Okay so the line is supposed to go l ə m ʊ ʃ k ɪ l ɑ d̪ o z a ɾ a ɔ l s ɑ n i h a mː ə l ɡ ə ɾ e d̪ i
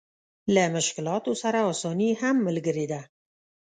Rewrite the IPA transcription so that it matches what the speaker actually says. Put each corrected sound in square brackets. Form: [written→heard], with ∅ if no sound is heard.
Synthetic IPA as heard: l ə m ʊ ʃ k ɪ l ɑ [d̪→t̪] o [z→s] a ɾ a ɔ [l→∅] s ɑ n i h a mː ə l ɡ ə ɾ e d̪ [i→a]